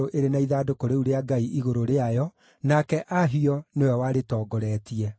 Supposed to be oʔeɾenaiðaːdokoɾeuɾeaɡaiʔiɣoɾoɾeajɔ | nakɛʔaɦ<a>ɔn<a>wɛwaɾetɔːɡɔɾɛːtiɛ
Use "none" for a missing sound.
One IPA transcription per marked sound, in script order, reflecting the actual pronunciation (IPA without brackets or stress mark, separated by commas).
i, e